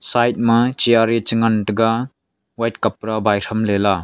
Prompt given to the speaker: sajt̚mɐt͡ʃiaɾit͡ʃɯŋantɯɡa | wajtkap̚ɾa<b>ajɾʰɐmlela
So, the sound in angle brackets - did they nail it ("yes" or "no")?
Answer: yes